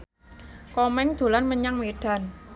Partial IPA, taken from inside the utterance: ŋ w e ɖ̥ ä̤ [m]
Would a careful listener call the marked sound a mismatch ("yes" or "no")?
yes